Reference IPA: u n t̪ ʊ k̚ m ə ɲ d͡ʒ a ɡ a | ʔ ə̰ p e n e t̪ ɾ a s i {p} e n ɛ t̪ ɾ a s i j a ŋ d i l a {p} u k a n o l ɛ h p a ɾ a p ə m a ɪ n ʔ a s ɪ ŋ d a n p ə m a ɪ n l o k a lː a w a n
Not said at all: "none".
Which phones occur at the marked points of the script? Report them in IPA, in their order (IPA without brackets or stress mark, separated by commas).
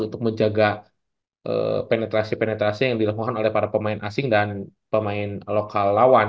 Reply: p, k